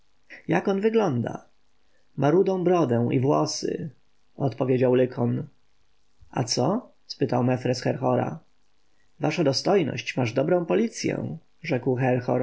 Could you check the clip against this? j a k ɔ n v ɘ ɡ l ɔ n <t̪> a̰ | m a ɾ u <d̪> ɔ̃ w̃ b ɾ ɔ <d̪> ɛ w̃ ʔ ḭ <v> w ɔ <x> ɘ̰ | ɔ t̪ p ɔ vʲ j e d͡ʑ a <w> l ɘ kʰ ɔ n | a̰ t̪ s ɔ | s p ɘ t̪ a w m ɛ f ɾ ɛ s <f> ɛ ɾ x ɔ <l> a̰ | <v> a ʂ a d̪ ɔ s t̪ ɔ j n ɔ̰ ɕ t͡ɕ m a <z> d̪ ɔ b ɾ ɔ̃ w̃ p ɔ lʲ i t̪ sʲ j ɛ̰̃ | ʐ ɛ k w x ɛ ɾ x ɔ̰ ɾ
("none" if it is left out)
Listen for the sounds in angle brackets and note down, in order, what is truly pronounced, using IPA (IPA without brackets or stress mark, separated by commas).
d̪, d̪, d̪, v, s, w, x, ɾ, v, ʐ